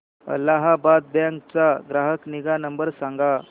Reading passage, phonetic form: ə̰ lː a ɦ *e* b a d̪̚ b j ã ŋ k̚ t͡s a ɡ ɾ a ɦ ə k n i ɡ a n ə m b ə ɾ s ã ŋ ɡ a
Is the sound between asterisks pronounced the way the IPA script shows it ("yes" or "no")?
no